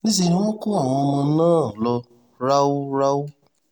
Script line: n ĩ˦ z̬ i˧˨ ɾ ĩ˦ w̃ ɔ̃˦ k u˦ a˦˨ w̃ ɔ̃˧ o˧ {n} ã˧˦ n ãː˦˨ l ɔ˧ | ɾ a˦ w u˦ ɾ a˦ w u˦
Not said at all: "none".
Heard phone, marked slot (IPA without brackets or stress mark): m